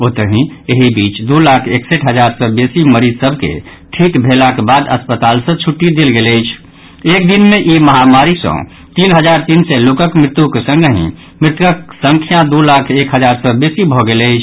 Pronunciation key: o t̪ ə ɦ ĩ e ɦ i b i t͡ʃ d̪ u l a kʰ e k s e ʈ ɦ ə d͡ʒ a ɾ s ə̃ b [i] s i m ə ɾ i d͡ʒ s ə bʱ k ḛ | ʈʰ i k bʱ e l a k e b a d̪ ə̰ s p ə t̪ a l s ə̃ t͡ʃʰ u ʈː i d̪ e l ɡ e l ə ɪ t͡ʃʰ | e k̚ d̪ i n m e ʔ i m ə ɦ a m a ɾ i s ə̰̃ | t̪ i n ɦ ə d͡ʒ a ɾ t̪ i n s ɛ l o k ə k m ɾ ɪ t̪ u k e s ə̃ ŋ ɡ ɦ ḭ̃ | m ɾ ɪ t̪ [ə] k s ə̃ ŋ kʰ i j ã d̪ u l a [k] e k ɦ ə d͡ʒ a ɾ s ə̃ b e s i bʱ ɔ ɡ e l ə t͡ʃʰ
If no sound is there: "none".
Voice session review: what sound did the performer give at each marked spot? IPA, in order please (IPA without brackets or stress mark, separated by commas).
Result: e, ə, kʰ